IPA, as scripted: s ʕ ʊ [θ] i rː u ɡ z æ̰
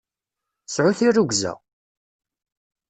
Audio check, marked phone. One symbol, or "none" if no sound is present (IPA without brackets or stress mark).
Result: θ